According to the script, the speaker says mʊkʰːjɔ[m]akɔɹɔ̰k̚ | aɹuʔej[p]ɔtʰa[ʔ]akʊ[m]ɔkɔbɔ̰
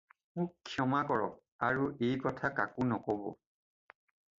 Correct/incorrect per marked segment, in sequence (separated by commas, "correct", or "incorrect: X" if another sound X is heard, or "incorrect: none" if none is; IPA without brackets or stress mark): correct, incorrect: k, incorrect: k, incorrect: n